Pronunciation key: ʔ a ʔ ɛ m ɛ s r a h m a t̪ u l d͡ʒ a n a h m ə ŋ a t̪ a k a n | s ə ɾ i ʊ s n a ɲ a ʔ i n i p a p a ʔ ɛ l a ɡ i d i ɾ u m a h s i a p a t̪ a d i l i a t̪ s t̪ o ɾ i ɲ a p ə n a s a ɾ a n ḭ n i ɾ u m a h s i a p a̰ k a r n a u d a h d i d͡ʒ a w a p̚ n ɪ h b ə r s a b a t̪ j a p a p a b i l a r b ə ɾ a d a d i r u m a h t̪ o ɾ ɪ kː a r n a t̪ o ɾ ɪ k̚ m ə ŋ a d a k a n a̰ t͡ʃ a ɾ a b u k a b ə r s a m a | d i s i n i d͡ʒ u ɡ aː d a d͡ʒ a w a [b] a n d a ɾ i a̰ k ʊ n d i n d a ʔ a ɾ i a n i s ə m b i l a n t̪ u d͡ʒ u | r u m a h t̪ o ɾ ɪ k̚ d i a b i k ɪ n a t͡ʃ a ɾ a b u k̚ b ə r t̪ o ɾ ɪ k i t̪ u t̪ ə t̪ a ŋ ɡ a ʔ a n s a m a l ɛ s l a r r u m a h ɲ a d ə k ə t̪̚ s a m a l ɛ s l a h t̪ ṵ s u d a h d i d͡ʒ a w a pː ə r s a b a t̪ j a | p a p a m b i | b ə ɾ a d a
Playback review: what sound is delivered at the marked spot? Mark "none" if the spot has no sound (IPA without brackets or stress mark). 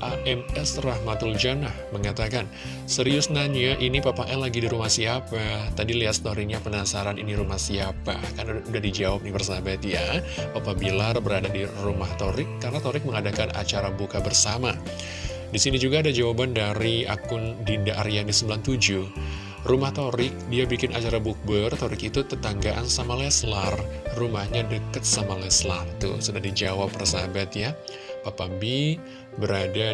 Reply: b